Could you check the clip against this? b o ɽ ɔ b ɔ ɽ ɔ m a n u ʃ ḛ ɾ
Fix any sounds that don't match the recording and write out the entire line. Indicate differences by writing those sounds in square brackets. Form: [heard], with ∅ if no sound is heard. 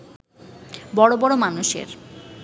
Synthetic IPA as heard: b [ɔ] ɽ [o] b ɔ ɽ [o] m a n u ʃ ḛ ɾ